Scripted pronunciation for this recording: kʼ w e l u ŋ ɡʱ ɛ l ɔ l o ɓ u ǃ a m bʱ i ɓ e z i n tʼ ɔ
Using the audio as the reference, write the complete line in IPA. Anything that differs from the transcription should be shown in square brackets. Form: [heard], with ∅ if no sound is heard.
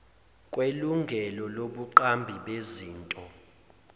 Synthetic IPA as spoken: kʼ w e l u ŋ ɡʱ ɛ l ɔ l o ɓ u ǃ a m bʱ i ɓ e z [iː] n tʼ ɔ